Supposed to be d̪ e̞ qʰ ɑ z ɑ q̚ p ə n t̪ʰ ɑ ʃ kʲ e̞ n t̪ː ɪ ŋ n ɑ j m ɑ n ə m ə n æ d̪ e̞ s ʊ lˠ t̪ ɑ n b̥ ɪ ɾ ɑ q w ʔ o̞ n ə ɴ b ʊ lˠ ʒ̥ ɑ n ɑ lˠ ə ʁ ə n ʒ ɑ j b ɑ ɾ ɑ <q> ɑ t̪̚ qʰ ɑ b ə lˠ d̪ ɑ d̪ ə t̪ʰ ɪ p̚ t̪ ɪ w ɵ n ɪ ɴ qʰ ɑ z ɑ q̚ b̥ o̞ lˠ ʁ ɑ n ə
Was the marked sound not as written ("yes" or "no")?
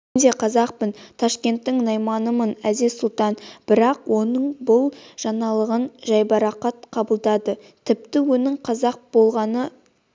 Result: no